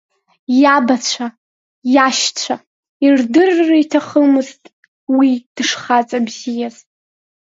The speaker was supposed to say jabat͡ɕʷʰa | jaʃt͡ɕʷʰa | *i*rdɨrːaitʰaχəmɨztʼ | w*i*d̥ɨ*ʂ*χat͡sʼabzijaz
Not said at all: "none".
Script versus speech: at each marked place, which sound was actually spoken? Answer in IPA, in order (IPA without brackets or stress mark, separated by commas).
i, i, ʂ